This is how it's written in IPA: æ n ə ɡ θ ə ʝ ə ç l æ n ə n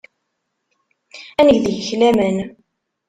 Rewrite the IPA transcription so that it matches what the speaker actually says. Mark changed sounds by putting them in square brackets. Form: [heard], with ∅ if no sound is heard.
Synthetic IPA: æ n ə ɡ [ð] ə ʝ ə ç l æ [m] ə n